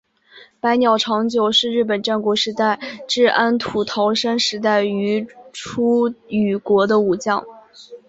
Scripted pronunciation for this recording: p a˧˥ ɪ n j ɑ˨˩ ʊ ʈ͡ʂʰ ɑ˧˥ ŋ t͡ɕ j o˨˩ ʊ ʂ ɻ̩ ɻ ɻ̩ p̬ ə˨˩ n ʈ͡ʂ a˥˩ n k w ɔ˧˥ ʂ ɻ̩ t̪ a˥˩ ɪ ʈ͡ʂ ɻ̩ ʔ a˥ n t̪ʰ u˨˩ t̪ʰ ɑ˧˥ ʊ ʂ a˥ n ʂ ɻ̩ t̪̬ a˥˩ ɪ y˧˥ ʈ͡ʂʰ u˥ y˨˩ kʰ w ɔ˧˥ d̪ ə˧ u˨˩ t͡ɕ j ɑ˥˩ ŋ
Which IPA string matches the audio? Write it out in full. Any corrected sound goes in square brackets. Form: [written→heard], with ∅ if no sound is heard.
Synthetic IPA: p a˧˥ ɪ n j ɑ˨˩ ʊ ʈ͡ʂʰ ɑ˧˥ ŋ t͡ɕ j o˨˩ ʊ ʂ ɻ̩ ɻ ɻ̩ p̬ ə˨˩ n ʈ͡ʂ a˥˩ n k w ɔ˧˥ ʂ ɻ̩ t̪ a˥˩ ɪ ʈ͡ʂ ɻ̩ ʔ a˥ n t̪ʰ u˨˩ t̪ʰ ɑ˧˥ ʊ ʂ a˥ n ʂ ɻ̩ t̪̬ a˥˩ ɪ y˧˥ ʈ͡ʂʰ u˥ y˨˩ [kʰ→k] w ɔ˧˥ d̪ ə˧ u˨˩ t͡ɕ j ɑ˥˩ ŋ